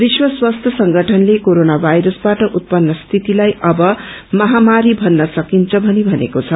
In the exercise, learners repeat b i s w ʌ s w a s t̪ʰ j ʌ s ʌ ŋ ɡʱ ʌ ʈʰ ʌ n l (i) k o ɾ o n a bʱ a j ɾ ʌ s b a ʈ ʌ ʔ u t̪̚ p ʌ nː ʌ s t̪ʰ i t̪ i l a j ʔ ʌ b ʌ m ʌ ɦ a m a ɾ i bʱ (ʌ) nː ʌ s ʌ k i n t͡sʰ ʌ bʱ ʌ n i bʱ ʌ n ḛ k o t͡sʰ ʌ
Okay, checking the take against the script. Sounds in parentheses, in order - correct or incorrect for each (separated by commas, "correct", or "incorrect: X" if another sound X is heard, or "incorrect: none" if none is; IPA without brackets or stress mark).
incorrect: e, correct